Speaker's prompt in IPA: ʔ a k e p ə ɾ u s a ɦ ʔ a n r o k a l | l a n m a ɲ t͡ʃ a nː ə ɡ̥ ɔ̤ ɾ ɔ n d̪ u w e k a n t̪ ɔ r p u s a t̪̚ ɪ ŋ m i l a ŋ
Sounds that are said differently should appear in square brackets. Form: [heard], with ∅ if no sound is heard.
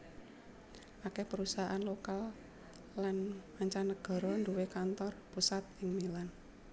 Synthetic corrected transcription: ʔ a k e p ə ɾ u s a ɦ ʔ a n [l] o k a l | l a n m a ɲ t͡ʃ a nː ə ɡ̥ ɔ̤ ɾ ɔ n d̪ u w e k a n t̪ ɔ r p u s a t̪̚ ɪ ŋ m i l a [n]